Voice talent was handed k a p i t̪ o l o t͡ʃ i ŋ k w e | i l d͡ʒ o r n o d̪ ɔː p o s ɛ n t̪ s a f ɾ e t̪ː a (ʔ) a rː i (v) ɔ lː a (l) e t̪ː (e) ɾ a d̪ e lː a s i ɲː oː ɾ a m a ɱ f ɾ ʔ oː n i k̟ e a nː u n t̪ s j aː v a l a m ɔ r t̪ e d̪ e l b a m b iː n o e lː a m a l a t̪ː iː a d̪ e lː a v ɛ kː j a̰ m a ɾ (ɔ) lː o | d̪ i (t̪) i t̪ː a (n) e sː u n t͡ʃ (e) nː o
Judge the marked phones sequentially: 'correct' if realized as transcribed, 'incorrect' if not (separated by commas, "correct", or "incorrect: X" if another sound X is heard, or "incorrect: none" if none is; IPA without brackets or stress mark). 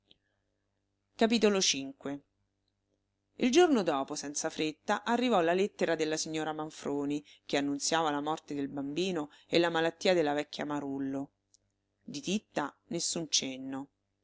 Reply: correct, correct, correct, correct, incorrect: u, correct, correct, correct